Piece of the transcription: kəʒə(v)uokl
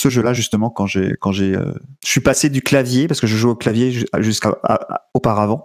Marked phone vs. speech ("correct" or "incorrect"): incorrect